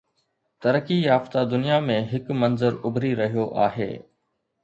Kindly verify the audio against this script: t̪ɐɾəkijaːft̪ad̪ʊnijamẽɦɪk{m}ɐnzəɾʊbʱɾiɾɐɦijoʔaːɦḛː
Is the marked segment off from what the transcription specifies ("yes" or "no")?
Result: no